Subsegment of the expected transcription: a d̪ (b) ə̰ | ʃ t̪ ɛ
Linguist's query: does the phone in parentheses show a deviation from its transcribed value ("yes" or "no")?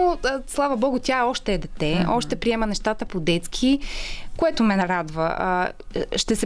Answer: yes